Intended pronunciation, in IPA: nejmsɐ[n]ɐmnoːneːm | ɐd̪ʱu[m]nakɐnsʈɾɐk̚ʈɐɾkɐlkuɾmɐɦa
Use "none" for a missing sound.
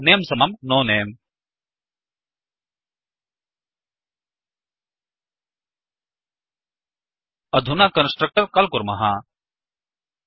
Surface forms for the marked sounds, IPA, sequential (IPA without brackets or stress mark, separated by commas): m, none